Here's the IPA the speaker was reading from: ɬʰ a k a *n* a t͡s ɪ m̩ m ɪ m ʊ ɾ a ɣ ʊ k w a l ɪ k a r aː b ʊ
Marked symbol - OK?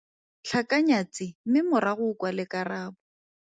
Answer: no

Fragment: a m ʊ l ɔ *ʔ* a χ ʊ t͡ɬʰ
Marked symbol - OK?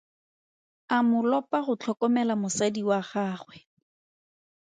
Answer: no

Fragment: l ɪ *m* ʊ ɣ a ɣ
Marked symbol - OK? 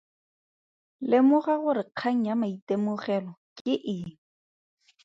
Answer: yes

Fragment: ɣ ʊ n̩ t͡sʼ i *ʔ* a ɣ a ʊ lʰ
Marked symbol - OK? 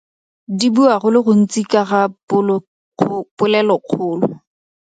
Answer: no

